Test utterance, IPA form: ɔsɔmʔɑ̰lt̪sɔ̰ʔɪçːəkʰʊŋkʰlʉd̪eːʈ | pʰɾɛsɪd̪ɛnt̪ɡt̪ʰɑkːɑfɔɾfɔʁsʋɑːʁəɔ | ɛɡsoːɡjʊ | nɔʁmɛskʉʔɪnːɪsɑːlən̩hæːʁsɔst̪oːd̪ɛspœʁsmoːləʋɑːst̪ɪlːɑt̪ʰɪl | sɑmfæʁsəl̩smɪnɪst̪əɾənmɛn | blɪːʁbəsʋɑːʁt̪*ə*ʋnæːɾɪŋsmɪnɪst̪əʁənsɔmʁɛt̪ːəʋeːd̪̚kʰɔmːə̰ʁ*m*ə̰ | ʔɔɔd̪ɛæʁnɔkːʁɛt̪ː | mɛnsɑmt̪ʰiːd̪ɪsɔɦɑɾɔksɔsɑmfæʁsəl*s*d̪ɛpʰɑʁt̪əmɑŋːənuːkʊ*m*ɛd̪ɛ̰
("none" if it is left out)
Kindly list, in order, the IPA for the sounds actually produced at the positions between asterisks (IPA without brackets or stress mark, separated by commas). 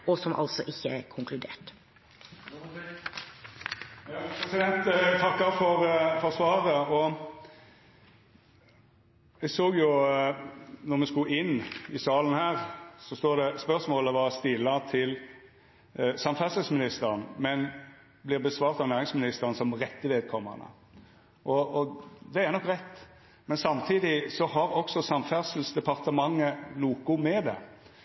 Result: ɑ, n, s, m